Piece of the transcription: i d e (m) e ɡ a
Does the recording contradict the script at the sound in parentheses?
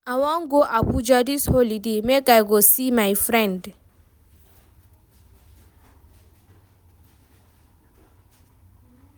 no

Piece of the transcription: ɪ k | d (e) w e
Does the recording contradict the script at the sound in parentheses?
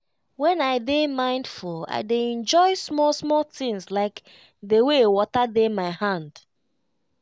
no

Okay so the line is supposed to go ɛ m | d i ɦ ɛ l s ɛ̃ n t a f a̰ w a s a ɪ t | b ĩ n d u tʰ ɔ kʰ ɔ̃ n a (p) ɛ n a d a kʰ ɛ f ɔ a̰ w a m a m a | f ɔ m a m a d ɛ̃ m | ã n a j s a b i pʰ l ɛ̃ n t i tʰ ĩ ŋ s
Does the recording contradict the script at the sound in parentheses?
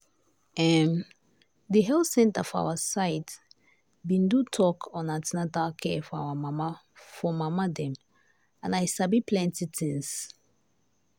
yes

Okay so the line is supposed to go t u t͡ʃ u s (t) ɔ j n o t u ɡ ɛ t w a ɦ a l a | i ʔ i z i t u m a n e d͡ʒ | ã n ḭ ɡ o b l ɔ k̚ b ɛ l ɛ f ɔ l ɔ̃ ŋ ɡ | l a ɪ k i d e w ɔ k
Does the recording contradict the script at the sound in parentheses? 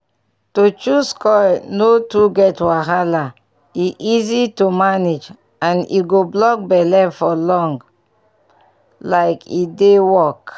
yes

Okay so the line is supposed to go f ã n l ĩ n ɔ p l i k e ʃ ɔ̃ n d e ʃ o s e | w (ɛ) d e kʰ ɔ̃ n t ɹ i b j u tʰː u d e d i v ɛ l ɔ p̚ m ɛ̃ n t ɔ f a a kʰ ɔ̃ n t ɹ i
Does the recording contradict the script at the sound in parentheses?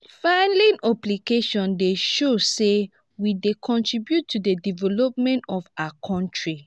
yes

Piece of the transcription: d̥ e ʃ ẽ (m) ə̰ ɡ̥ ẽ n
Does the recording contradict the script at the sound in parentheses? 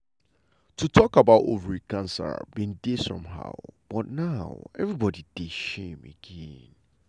no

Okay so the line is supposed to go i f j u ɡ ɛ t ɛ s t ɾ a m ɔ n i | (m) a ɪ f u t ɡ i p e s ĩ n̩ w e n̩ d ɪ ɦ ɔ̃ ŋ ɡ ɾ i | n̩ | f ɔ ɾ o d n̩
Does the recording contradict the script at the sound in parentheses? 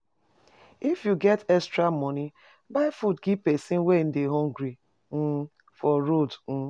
yes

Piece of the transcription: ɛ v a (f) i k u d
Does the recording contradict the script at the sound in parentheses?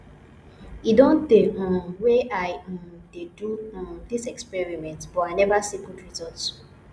yes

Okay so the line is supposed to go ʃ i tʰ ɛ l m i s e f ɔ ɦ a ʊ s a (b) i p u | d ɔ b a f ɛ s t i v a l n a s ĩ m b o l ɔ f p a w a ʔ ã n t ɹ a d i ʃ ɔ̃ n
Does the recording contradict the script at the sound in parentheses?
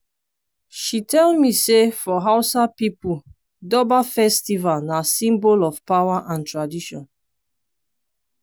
yes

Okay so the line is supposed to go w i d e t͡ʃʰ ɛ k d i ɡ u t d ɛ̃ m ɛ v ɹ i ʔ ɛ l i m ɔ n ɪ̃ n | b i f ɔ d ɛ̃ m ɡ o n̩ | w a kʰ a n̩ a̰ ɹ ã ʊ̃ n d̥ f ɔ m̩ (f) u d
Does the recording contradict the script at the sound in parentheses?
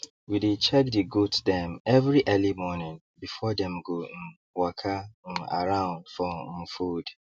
no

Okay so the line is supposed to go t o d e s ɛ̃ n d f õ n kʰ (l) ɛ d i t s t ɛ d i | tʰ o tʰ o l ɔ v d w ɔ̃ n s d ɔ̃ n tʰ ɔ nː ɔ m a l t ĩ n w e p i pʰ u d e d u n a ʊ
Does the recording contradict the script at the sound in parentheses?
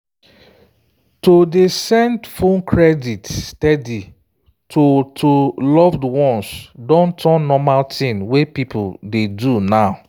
yes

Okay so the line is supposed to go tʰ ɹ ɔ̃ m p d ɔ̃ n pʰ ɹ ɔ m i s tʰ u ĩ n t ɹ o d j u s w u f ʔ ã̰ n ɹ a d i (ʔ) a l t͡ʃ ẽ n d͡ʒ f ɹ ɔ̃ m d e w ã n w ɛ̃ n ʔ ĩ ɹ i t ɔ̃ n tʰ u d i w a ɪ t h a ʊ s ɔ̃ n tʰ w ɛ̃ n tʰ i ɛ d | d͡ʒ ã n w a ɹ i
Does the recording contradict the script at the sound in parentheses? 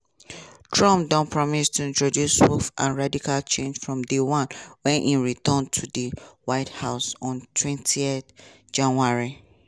yes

